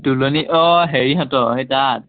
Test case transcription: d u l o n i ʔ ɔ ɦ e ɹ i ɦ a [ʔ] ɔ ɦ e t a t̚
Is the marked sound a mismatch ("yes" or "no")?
yes